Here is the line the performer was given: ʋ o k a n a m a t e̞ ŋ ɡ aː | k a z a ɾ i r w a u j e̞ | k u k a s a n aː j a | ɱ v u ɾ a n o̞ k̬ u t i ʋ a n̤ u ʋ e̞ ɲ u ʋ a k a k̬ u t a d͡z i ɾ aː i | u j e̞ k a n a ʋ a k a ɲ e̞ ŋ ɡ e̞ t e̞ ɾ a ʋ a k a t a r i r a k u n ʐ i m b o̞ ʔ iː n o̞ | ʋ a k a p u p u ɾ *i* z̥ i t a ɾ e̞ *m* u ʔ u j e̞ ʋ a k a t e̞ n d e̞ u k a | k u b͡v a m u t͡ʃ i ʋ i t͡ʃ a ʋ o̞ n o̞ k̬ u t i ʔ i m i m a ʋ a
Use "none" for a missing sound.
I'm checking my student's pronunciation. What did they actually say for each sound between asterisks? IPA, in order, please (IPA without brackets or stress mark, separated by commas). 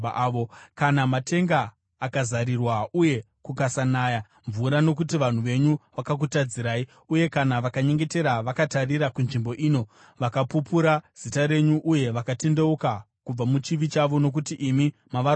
a, ɲ